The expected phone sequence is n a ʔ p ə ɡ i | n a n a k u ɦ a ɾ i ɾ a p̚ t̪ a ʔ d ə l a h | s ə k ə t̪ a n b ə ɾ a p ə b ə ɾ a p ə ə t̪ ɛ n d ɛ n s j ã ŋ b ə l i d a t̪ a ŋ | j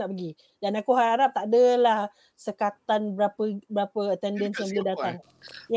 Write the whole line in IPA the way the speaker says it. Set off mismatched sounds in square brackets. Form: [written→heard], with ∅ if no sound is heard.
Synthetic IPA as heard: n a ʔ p ə ɡ i | [n→d] a n a k u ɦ a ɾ [i→a] ɾ a p̚ t̪ a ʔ d ə l a h | s ə k [ə→a] t̪ a n b ə ɾ a p ə b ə ɾ a p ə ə t̪ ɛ n d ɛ n s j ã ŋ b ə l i d a t̪ a ŋ | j